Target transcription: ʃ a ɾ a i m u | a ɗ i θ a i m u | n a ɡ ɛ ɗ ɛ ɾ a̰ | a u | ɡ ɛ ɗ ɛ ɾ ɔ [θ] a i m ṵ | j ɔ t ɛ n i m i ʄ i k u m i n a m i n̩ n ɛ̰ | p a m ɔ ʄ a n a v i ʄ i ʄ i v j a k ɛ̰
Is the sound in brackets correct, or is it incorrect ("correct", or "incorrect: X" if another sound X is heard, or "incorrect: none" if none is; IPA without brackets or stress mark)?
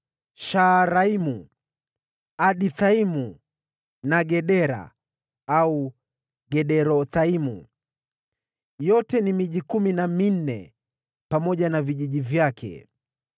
correct